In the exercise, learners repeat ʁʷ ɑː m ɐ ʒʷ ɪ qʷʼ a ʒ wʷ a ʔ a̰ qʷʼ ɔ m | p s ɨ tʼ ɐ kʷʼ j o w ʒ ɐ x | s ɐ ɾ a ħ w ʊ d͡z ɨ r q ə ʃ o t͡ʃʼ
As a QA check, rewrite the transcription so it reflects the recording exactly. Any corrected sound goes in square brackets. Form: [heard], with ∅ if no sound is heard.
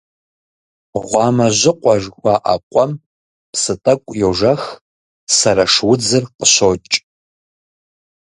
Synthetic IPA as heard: ʁʷ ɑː m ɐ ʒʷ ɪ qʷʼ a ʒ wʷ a ʔ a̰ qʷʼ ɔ m | p s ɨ tʼ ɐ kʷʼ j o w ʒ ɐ x | s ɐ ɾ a [ʂ] w ʊ d͡z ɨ r q ə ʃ o t͡ʃʼ